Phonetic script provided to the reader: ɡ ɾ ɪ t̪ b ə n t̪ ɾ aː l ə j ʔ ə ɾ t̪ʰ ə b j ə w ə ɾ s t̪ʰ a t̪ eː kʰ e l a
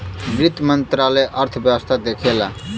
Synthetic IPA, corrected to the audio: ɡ ɾ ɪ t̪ m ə n t̪ ɾ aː l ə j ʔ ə ɾ t̪ʰ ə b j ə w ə s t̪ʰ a d̪ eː kʰ e l a